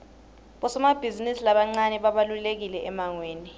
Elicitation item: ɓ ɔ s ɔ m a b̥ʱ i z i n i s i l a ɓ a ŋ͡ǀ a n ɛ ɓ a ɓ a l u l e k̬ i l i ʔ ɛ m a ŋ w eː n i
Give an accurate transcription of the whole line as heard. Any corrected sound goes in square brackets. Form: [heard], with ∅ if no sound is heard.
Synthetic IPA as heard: ɓ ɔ s ɔ m a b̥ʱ i z i n i s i l a ɓ a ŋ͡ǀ a n ɛ ɓ a ɓ a l u l e k̬ i l [ɛ] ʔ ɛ m a ŋ w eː n i